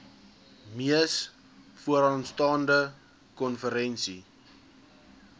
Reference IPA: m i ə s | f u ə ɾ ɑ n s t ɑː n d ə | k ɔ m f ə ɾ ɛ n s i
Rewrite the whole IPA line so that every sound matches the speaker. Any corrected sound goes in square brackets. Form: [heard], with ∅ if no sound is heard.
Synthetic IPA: m i ə s | f u ə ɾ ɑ n s t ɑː n d ə | k ɔ [n] f ə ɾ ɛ n s i